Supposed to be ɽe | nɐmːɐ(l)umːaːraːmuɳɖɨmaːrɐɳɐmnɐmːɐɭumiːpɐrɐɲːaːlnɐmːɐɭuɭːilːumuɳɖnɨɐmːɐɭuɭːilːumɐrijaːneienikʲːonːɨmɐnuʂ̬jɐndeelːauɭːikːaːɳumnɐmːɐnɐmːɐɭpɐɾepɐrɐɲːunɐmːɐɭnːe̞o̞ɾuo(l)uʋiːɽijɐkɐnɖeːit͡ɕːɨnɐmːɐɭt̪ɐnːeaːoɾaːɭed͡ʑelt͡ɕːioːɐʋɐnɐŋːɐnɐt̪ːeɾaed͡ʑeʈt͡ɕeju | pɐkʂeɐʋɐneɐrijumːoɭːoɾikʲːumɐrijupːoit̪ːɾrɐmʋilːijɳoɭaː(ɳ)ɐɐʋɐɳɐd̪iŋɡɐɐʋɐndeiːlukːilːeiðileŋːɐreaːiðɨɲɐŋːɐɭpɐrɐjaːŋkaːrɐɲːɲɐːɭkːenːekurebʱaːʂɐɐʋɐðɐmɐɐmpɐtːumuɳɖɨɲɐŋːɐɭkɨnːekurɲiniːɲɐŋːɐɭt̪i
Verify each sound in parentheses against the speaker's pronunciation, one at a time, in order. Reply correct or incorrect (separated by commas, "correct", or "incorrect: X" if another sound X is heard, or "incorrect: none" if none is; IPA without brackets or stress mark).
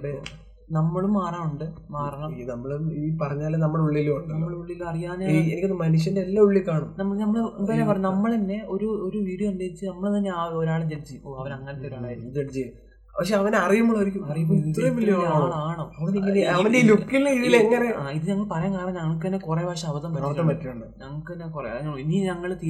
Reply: incorrect: ɭ, incorrect: ɾ, correct